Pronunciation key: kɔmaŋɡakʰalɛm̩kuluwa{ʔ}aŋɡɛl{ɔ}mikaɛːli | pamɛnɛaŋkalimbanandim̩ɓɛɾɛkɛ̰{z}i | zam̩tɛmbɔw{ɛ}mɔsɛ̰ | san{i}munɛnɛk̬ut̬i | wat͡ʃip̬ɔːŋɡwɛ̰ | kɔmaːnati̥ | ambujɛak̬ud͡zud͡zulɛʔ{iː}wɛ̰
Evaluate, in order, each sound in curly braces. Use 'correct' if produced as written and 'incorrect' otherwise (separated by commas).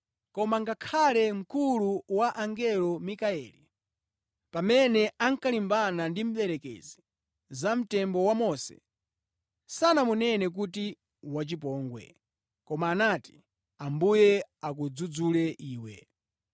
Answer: correct, correct, correct, incorrect, incorrect, correct